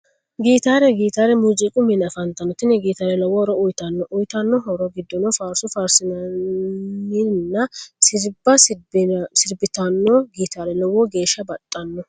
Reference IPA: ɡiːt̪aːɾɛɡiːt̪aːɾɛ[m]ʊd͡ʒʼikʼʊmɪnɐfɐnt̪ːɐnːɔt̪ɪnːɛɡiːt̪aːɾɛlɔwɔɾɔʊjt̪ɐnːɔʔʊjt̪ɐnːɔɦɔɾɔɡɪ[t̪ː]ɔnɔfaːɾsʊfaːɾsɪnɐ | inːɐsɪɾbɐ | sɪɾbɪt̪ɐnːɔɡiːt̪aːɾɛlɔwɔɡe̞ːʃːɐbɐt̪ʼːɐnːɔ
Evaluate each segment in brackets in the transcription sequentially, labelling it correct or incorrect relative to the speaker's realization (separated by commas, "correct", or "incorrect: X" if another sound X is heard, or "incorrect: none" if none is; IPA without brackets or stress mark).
correct, incorrect: d̪ː